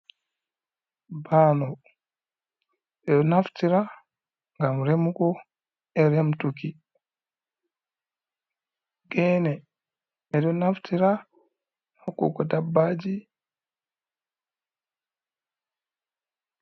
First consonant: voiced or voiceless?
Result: voiced